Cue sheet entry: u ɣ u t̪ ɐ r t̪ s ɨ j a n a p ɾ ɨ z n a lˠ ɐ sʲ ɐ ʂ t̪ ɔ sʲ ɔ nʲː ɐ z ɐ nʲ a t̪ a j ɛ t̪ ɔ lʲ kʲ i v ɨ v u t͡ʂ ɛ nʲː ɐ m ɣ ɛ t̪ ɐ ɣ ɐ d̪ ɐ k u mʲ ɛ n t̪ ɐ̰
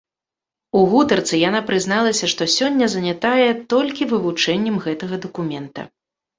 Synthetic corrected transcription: u ɣ u t̪ ɐ r t̪ s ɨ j a n a p ɾ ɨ z n a lˠ ɐ sʲ ɐ ʂ t̪ ɔ sʲ ɔ nʲː ɐ z ɐ nʲ a t̪ a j ɛ t̪ ɔ lʲ kʲ i v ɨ v u t͡ʂ ɛ nʲː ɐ m ɣ ɛ t̪ ɐ ɣ ɐ d̪ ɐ k u mʲ ɛ n t̪ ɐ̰